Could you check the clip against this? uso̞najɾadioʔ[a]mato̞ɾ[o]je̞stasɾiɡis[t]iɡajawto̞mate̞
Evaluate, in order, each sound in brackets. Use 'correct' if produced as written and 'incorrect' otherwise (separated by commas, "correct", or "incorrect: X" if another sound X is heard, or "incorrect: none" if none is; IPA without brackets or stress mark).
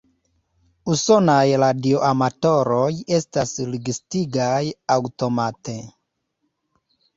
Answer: correct, correct, correct